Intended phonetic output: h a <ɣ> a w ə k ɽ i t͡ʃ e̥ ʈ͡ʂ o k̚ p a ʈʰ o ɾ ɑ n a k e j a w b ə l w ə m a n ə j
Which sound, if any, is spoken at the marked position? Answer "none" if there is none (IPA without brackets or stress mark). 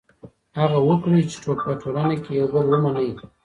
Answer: ɣ